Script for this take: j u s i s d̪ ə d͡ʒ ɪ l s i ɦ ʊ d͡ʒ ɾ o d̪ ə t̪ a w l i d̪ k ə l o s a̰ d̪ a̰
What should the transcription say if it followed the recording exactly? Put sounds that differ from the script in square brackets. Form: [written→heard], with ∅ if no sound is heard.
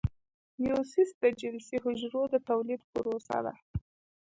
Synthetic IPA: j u s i s d̪ ə d͡ʒ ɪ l s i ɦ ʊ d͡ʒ ɾ o d̪ ə t̪ a w l i d̪ [k→p] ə [l→ɾ] o s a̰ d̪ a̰